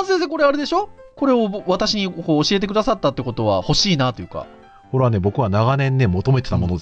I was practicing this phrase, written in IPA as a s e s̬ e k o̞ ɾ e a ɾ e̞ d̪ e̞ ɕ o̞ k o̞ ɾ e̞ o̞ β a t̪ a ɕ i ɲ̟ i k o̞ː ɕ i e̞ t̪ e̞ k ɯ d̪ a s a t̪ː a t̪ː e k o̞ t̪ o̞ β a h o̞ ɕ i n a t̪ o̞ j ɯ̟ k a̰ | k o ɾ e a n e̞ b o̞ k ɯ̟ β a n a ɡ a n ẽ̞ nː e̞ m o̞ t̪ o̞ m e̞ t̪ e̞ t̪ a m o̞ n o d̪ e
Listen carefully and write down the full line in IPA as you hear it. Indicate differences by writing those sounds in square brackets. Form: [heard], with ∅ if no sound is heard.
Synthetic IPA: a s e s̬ e k o̞ ɾ e a ɾ e̞ d̪ e̞ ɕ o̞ k o̞ ɾ e̞ o̞ β a t̪ a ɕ i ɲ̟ i k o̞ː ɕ i e̞ t̪ e̞ k ɯ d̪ a s a t̪ː a t̪ː e k o̞ t̪ o̞ β a h o̞ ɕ [iː] n a t̪ o̞ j ɯ̟ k a̰ | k o ɾ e a n e̞ b o̞ k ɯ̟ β a n a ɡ a n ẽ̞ nː e̞ m o̞ t̪ o̞ m e̞ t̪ e̞ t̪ a m o̞ n o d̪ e